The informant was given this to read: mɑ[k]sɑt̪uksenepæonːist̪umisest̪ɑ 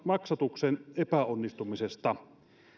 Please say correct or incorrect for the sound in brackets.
correct